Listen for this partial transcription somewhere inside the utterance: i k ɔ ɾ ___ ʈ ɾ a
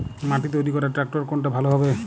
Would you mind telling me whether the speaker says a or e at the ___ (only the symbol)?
a